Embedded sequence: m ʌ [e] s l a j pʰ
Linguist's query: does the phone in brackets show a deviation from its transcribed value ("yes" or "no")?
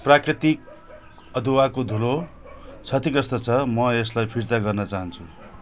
no